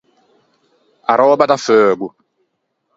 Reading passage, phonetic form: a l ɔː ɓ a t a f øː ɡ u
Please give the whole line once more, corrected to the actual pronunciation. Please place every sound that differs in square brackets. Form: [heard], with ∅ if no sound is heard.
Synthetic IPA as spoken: a [ɾ] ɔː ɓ a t a f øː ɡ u